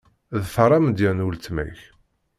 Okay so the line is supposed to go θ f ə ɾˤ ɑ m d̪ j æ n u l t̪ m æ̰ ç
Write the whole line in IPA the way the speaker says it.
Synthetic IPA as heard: ð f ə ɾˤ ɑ m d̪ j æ n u l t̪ m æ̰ ç